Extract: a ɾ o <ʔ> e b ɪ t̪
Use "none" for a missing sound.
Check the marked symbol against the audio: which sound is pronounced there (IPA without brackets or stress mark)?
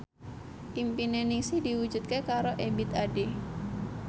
ʔ